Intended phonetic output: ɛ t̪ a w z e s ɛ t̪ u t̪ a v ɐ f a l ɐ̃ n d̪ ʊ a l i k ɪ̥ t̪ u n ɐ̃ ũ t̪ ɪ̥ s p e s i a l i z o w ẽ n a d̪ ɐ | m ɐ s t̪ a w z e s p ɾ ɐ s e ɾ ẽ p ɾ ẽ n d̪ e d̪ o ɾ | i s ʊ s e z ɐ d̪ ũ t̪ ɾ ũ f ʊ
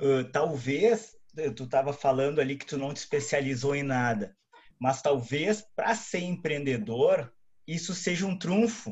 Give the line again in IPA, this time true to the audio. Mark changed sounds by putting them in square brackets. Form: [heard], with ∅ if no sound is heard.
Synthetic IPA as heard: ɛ t̪ a w [v] e s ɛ t̪ u t̪ a v ɐ f a l ɐ̃ n d̪ ʊ a l i k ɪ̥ t̪ u n ɐ̃ [w̃] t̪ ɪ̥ s p e s i a l i z o w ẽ n a d̪ ɐ | m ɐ s t̪ a w [v] e s p ɾ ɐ s e ɾ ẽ p ɾ ẽ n d̪ e d̪ o ɾ | i s ʊ s e [ʒ] ɐ [∅] ũ t̪ ɾ ũ f ʊ